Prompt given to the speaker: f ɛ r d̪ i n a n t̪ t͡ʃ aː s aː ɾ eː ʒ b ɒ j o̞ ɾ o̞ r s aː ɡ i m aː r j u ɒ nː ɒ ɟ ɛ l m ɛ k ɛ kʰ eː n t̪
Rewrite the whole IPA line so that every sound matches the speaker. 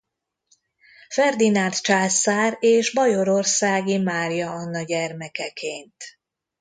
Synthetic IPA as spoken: f ɛ r d̪ i n a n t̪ t͡ʃ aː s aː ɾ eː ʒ b ɒ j o̞ ɾ o̞ r s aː ɡ i m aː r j ɒ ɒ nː ɒ ɟ ɛ r m ɛ k ɛ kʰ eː n t̪